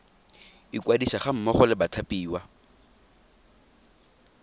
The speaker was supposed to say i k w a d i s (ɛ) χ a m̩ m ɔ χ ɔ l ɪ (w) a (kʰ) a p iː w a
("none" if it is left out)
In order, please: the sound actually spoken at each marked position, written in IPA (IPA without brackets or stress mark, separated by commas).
a, b, tʰ